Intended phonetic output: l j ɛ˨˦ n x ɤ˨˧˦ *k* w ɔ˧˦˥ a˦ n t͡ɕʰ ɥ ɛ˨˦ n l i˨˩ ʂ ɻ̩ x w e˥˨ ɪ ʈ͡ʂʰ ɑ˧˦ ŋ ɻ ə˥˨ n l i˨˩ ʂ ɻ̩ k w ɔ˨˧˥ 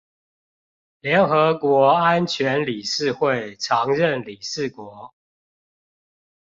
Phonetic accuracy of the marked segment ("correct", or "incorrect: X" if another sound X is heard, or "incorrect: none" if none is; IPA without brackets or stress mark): correct